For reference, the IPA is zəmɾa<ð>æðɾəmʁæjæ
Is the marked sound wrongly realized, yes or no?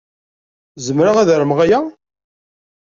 yes